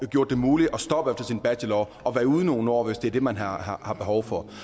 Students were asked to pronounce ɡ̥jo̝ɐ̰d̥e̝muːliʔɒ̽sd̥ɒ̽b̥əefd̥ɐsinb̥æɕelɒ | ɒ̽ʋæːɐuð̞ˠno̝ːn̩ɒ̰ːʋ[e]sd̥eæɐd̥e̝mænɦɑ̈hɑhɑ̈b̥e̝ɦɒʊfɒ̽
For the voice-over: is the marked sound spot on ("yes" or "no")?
yes